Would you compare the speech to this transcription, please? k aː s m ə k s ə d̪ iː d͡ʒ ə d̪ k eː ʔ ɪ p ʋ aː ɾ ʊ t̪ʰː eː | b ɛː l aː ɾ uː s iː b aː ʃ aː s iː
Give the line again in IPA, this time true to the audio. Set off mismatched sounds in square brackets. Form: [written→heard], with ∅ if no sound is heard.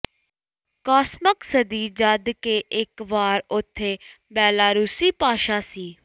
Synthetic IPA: k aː s m ə k s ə d̪ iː d͡ʒ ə d̪ k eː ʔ ɪ [p→k] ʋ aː ɾ ʊ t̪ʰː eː | b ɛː l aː ɾ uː s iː [b→p] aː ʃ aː s iː